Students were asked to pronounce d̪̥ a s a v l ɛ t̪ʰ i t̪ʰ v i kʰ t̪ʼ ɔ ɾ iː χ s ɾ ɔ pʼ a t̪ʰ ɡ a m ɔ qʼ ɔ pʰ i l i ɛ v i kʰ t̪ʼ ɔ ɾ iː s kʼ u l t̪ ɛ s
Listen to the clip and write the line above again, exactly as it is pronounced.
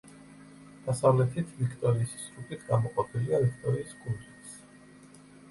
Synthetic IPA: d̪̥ a s a v l ɛ t̪ʰ i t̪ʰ v i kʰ t̪ʼ ɔ ɾ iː s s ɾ u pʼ i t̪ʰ ɡ a m ɔ qʼ ɔ pʰ i l i a v i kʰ t̪ʼ ɔ ɾ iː s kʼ u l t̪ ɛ s